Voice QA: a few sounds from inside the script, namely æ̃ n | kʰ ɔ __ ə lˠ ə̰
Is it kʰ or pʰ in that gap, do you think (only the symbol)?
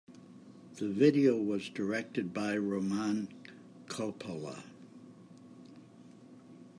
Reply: pʰ